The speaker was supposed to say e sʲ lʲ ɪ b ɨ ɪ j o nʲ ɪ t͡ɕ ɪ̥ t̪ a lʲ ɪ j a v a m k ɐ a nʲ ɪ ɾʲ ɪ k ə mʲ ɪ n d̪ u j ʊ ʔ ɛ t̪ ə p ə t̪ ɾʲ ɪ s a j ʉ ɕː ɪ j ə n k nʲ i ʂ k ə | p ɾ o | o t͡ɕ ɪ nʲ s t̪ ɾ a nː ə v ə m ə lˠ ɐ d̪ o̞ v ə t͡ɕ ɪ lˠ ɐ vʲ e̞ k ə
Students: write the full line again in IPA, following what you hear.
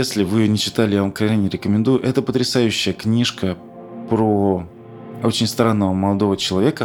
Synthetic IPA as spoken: e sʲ lʲ ɪ v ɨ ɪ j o nʲ ɪ t͡ɕ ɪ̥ t̪ a lʲ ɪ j a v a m k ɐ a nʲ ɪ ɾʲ ɪ k ə mʲ ɪ n d̪ u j ʊ ʔ ɛ t̪ ə p ə t̪ ɾʲ ɪ s a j ʉ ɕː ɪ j ə k nʲ i ʂ k ə | p ɾ o | o t͡ɕ ɪ nʲ s t̪ ɾ a nː ə v ə m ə lˠ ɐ d̪ o̞ v ə t͡ɕ ɪ lˠ ɐ vʲ e̞ k ə